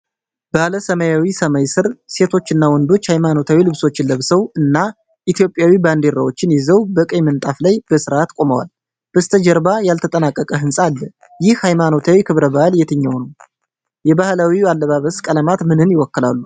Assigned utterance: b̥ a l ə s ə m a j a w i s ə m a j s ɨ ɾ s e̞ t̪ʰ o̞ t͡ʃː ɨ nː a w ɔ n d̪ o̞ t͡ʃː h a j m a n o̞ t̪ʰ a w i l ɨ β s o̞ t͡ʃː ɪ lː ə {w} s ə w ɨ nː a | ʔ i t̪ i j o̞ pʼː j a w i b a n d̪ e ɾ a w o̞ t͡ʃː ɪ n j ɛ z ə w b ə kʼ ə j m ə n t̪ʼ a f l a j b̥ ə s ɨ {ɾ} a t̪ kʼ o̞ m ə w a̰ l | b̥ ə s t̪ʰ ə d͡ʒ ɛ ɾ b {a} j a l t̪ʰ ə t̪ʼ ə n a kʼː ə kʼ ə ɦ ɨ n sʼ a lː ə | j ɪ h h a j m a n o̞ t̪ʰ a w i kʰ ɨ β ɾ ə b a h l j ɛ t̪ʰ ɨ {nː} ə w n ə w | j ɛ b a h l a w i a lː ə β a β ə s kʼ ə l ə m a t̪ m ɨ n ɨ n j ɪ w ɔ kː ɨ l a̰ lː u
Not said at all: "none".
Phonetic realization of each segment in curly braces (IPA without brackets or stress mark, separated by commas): β, ɾ, a, ɲː